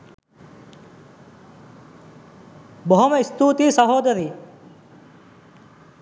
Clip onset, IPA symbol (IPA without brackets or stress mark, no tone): b